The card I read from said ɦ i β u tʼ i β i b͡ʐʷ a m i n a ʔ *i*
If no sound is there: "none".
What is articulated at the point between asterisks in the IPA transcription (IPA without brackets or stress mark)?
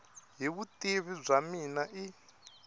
i